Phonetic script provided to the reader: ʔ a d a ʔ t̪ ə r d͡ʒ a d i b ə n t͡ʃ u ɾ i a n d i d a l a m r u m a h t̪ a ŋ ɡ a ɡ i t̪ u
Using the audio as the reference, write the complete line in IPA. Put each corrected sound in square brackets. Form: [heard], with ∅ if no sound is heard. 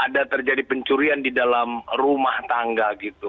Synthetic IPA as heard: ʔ a d a [∅] t̪ ə r d͡ʒ a d i [p] ə [ɲ] t͡ʃ u ɾ i a n d i d a l a m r u m a h t̪ a ŋ ɡ a ɡ i t̪ u